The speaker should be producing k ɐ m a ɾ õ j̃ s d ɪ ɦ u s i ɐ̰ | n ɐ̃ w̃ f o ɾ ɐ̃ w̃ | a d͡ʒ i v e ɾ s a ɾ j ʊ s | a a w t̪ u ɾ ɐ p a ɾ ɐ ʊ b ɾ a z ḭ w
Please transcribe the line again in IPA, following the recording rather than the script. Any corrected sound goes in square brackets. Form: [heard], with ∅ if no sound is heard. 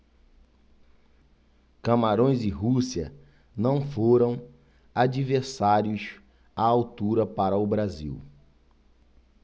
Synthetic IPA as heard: k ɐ m a ɾ õ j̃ [z] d ɪ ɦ u s i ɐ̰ | n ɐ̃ w̃ f o ɾ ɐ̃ w̃ | a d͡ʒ i v e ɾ s a ɾ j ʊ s | a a w t̪ u ɾ ɐ p a ɾ ɐ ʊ b ɾ a z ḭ w